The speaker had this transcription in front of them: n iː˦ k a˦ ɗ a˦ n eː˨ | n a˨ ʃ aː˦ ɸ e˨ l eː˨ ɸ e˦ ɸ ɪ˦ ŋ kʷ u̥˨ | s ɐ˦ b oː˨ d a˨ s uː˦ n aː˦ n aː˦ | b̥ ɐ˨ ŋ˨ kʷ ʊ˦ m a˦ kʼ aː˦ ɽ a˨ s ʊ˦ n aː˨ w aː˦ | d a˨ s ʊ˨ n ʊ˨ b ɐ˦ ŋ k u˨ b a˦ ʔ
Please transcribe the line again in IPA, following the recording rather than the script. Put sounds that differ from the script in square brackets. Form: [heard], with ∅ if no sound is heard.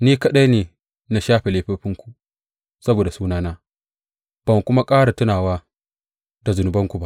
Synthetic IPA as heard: n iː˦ k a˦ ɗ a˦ n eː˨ | n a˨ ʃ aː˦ ɸ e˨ l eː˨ ɸ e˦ ɸ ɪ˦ ŋ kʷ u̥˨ | s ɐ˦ b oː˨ d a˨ s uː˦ n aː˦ n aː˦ | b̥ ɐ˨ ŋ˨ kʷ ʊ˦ m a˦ kʼ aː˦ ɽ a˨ [t] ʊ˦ n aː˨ w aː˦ | d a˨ [z] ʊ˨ n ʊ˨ b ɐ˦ ŋ k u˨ b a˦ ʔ

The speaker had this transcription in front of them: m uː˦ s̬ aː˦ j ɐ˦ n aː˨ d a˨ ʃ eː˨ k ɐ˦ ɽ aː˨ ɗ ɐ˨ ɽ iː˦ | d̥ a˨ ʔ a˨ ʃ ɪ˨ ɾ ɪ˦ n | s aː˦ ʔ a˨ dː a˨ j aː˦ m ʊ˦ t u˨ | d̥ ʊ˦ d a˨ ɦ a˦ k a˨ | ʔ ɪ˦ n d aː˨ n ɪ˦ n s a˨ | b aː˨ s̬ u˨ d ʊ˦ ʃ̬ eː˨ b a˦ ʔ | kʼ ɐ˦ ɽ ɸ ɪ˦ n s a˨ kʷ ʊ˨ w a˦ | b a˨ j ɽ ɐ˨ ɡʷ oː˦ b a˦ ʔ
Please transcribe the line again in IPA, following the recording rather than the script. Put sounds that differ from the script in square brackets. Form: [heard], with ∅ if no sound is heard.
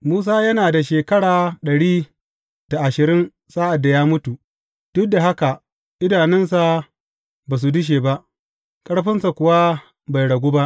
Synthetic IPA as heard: m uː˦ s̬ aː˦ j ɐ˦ n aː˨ d a˨ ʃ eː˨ k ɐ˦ ɽ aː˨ ɗ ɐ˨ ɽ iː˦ | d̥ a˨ ʔ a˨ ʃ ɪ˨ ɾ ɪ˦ n | s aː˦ ʔ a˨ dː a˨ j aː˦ m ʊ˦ t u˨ | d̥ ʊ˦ d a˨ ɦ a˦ k a˨ | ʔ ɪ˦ [∅] d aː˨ n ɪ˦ n s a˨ | b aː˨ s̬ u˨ d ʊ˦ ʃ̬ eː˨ b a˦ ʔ | kʼ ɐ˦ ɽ ɸ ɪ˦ n s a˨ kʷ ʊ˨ w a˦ | b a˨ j ɽ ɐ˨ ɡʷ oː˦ b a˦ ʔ

